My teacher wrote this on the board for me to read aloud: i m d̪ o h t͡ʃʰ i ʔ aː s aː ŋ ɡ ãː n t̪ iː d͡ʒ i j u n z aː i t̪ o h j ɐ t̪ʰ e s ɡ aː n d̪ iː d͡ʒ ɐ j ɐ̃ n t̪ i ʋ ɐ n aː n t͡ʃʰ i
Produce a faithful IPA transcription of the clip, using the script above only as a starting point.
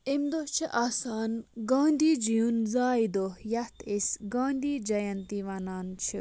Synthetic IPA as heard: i m d̪ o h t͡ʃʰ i ʔ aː s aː n ɡ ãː n d̪ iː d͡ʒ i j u n z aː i d̪ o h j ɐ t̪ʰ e s ɡ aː n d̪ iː d͡ʒ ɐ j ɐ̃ n t̪ i ʋ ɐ n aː n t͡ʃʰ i